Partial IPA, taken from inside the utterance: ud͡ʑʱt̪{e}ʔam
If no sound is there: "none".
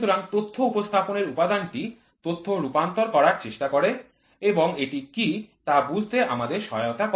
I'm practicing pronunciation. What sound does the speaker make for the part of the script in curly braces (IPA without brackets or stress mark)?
e